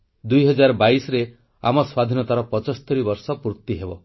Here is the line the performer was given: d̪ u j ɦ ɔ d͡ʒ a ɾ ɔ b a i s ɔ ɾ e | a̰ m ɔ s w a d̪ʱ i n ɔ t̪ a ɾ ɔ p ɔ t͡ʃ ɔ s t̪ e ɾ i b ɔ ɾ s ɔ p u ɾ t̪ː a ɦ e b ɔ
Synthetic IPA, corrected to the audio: d̪ u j ɦ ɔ d͡ʒ a ɾ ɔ b a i s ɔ ɾ e | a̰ m ɔ s w a d̪ʱ i n ɔ t̪ a ɾ ɔ p ɔ t͡ʃ ɔ s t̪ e ɾ i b ɔ ɾ s ɔ p u ɾ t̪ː i ɦ e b ɔ